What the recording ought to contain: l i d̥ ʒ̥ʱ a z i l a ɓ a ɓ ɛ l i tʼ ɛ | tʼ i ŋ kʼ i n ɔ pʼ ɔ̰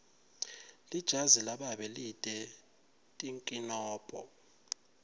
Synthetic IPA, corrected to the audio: l i d̥ ʒ̥ʱ a z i l a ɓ a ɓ ɛ l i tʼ ɛ | tʼ i ŋ kʼ i n ɔː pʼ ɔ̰